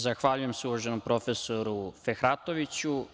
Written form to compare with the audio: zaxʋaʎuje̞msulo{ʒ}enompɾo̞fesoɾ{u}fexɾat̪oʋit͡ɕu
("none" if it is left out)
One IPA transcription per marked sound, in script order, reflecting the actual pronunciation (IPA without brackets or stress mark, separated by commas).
ʒ, u